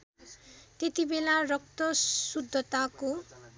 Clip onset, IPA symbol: t̪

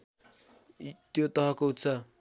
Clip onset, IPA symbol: t̪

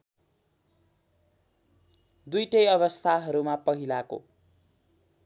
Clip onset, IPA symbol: d̪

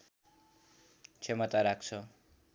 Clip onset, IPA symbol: t͡sʰ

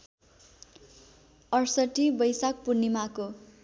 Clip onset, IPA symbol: ʌ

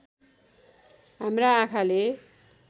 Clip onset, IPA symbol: ɦ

